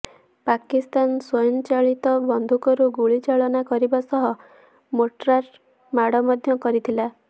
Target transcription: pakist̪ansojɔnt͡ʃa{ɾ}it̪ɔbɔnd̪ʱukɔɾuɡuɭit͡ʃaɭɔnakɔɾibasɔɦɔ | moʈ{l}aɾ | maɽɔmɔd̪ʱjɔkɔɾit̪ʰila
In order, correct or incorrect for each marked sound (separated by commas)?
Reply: incorrect, incorrect